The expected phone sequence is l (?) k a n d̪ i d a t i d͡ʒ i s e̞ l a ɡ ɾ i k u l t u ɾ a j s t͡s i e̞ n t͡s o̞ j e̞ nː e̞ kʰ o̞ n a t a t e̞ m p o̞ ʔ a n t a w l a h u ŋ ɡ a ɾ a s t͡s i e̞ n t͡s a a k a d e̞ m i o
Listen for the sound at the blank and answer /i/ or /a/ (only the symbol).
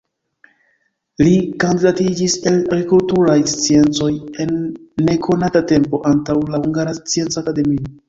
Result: i